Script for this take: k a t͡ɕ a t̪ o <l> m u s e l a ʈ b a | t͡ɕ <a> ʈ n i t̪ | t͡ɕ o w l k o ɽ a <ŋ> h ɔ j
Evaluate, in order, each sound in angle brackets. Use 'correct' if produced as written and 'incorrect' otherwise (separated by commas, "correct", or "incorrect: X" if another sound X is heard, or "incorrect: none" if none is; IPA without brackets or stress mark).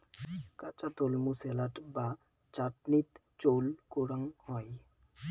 correct, correct, correct